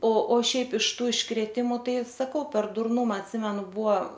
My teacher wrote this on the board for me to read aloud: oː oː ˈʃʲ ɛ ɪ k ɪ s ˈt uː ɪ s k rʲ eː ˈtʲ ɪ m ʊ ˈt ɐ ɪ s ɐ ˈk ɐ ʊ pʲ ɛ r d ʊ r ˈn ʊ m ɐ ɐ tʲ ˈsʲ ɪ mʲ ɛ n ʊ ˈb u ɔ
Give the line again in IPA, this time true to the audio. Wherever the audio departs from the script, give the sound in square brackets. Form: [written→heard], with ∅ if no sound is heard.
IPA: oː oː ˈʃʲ ɛ ɪ [k→p] ɪ [s→ʃ] ˈt uː ɪ [s→ʃ] k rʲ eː ˈtʲ ɪ m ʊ ˈt ɐ ɪ s ɐ ˈk ɐ ʊ pʲ ɛ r d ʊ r ˈn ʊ m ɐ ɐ tʲ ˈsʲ ɪ mʲ ɛ n ʊ ˈb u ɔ